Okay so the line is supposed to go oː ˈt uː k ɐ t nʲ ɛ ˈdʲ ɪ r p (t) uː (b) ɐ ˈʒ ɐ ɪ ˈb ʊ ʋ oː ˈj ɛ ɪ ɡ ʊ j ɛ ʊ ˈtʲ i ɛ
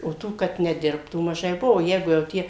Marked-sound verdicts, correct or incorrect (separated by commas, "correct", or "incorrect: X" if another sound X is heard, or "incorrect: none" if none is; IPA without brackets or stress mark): correct, incorrect: m